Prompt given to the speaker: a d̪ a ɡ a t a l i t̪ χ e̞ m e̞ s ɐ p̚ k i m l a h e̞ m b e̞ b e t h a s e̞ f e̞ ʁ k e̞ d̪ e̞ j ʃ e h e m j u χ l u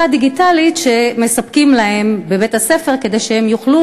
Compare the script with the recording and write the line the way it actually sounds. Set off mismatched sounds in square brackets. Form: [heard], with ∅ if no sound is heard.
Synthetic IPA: a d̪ [i] ɡ [i] t a l i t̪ [ʃ] e̞ m e̞ s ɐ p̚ k i m l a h e̞ m b e̞ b e t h a s e̞ f e̞ ʁ k e̞ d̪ e̞ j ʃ e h e m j u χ l u